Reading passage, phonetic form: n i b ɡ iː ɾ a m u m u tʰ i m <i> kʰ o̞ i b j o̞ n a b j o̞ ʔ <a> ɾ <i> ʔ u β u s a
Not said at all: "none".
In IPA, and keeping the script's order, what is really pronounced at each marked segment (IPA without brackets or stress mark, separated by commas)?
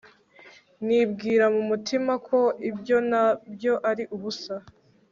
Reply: a, a, i